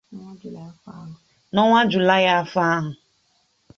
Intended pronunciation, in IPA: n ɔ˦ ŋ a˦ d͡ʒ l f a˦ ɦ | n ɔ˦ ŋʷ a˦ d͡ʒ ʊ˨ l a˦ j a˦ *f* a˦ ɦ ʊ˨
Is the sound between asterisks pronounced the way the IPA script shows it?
yes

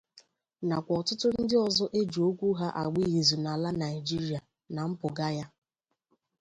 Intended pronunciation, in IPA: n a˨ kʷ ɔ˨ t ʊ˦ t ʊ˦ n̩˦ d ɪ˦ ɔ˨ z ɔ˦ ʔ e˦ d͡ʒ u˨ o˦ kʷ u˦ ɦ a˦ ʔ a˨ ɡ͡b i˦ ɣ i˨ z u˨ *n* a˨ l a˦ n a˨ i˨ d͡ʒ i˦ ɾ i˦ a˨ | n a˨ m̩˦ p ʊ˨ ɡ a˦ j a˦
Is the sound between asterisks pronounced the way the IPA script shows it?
yes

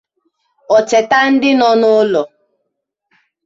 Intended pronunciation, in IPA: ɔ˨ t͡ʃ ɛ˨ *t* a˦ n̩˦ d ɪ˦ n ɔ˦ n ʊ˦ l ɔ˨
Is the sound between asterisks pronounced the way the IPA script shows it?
yes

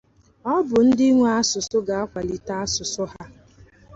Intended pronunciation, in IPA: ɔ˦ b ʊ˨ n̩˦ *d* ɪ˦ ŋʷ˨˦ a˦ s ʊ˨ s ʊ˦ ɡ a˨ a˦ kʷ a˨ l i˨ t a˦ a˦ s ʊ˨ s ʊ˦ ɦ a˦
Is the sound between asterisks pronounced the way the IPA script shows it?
yes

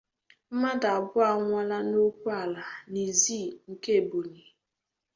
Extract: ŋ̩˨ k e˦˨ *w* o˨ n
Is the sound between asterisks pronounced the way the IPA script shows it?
no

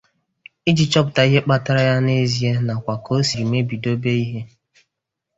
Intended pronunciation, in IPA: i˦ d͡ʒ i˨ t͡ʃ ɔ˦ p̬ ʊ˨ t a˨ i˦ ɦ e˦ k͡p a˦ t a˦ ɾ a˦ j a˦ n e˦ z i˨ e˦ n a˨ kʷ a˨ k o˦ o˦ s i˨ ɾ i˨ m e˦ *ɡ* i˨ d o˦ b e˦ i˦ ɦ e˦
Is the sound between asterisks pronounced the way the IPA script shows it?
no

